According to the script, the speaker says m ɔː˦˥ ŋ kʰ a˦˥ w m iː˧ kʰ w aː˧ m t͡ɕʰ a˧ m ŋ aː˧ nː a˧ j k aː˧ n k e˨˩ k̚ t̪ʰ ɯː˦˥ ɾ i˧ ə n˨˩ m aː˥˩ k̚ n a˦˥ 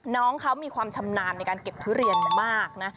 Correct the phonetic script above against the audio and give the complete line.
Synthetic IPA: n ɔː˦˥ ŋ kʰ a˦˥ w m iː˧ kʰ w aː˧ m t͡ɕʰ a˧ m n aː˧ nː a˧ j k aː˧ n k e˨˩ p̚ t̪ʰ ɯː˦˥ ɾ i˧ ə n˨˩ m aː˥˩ k̚ n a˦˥